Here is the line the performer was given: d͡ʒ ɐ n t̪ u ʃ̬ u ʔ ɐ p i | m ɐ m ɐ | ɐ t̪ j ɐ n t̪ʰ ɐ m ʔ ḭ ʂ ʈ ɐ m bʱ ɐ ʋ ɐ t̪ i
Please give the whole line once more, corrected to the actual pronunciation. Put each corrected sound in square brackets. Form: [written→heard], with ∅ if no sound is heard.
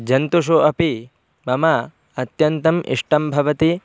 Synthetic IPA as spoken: d͡ʒ ɐ n t̪ u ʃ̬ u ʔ ɐ p i | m ɐ m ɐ | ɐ t̪ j ɐ n [t̪ʰ→t̪] ɐ m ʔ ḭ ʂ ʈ ɐ m bʱ ɐ ʋ ɐ t̪ i